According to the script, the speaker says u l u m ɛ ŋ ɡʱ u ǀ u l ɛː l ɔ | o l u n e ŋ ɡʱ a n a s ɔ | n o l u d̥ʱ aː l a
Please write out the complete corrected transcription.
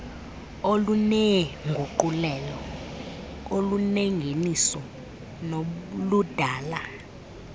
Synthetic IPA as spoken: o l u n ɛ ŋ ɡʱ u ǃ u l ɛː l ɔ | o l u n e ŋ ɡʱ e n i s ɔ | n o l u d̥ʱ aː l a